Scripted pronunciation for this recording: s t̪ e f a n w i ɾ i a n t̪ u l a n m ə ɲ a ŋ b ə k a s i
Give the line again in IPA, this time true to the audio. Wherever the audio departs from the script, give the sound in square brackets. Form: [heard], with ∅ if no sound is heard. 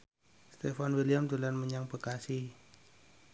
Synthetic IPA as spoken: s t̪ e f a n w i [l] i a [m] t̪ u l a n m ə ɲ a ŋ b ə k a s i